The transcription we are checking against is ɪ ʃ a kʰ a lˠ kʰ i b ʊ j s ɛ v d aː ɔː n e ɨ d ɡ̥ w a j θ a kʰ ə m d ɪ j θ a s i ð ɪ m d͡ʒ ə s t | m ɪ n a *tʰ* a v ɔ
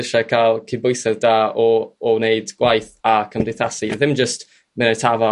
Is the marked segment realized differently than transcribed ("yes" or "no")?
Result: no